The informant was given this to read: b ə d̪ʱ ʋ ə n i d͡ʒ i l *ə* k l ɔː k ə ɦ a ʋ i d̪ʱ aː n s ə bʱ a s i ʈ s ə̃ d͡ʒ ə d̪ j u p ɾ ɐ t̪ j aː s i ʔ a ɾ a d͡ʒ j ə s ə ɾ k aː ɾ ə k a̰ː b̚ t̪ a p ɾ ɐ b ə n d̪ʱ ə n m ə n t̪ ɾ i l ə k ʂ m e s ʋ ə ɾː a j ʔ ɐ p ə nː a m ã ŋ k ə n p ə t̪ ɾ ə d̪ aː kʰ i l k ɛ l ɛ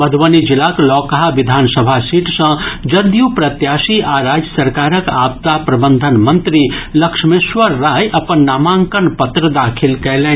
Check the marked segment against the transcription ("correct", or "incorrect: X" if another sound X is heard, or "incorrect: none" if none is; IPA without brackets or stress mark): incorrect: a